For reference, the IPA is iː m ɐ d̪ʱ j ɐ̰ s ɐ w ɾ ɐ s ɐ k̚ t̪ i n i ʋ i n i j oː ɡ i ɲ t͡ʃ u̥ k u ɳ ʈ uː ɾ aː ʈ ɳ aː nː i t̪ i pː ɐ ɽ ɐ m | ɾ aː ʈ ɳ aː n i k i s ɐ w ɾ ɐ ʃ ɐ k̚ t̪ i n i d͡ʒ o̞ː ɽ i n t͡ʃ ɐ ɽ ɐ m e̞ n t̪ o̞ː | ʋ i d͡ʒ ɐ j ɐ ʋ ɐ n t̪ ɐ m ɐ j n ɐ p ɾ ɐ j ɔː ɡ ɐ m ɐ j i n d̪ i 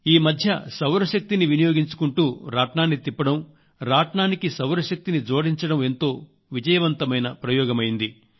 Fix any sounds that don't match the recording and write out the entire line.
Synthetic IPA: iː m ɐ d̪ʱ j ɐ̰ s ɐ w ɾ ɐ ʃ ɐ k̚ t̪ i n i ʋ i n i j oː ɡ i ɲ t͡ʃ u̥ k u ɳ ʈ uː ɾ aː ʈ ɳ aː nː i t̪ i pː ɐ ɽ ɐ m | ɾ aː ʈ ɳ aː n i k i s ɐ w ɾ ɐ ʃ ɐ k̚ t̪ i n i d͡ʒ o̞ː ɽ i ɲ t͡ʃ ɐ ɽ ɐ m e̞ n t̪ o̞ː | ʋ i d͡ʒ ɐ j ɐ ʋ ɐ n t̪ ɐ m ɐ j n ɐ p ɾ ɐ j ɔː ɡ ɐ m ɐ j i n d̪ i